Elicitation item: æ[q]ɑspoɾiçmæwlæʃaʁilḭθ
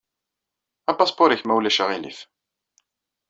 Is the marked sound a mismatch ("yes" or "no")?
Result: yes